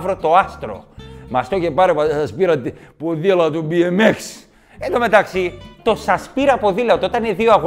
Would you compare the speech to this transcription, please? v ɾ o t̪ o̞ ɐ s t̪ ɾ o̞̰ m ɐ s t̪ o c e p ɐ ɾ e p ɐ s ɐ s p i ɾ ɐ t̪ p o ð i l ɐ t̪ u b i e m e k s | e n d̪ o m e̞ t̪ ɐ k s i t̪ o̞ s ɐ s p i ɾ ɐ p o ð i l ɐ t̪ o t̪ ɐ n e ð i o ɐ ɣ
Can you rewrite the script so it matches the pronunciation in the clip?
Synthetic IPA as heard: v ɾ o t̪ o̞ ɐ s t̪ ɾ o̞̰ m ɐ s t̪ o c e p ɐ ɾ e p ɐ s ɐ s p i ɾ ɐ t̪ p o ð i l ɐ t̪ u b i e m e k s | e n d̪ o m e̞ t̪ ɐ k s i t̪ o̞ s ɐ s p i ɾ ɐ p o ð i l ɐ t̪ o t̪ ɐ n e ð i o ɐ ɣ